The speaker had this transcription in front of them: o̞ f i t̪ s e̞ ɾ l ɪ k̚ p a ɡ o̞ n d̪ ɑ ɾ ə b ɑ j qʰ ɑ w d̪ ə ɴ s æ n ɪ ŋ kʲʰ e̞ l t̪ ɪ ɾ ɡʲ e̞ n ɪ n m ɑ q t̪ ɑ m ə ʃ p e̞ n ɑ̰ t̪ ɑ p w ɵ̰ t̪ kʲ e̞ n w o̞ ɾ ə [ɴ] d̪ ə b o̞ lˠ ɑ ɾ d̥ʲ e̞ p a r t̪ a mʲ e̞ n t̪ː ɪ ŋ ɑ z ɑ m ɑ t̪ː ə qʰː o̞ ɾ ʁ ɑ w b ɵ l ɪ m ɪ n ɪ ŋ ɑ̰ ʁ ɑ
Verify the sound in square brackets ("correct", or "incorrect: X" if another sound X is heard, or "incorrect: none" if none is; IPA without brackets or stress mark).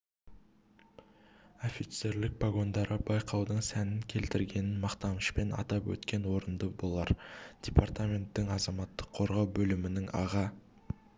incorrect: n